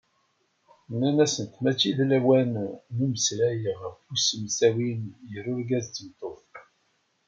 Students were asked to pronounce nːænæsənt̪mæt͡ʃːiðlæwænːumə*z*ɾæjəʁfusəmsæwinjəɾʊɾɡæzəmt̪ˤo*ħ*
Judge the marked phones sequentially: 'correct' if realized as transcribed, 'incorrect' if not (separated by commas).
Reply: incorrect, incorrect